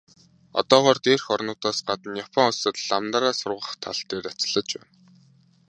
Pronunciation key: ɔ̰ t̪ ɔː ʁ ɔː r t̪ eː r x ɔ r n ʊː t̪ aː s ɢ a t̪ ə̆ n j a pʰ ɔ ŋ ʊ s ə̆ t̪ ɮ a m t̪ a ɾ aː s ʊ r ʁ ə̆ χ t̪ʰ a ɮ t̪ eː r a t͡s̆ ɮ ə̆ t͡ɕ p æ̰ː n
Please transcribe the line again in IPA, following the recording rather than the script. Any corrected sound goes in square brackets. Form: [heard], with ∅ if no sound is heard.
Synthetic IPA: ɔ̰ t̪ ɔː ʁ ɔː r t̪ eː r x ɔ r n ʊː t̪ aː s ɢ a t̪ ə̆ n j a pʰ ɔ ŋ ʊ s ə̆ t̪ ɮ a m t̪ a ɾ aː s ʊ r ʁ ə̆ χ t̪ʰ a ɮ t̪ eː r a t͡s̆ ɮ ə̆ t͡ɕ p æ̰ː n